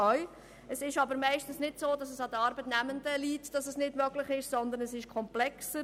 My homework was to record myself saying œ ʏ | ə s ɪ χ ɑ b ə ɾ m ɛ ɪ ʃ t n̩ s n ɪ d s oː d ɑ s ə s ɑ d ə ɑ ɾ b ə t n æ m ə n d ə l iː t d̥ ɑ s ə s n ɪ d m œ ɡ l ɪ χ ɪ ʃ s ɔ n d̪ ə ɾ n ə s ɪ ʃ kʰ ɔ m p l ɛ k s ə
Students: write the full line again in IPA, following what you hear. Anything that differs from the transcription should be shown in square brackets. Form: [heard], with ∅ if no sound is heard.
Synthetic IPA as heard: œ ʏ | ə s ɪ [ʃ] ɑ b ə ɾ m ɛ ɪ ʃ t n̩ s n ɪ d s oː d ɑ s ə s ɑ d ə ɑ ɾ b ə t n æ m ə n d ə l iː t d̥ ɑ s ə s n ɪ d m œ ɡ l ɪ χ ɪ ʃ s ɔ n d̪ ə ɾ n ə s ɪ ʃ kʰ ɔ m p l ɛ k s ə